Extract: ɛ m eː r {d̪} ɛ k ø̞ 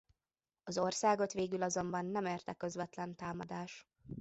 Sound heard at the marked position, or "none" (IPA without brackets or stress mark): t̪